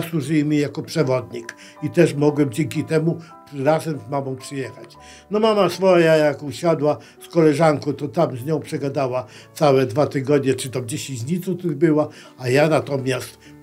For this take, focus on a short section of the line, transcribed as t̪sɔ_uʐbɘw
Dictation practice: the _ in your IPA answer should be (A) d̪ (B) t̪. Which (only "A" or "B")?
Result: B